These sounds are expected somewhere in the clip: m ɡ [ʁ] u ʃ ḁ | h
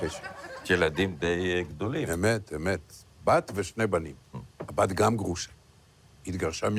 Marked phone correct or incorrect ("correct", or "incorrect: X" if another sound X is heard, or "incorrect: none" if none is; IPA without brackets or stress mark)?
correct